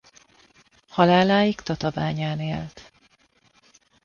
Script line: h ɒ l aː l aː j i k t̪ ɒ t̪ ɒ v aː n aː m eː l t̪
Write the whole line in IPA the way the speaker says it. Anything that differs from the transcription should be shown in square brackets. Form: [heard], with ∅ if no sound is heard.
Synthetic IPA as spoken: h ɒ l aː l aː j i k t̪ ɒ t̪ ɒ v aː [ɲ] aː [n] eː l t̪